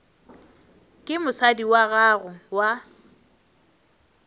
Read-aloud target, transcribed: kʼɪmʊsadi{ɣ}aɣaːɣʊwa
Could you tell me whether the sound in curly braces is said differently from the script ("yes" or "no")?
yes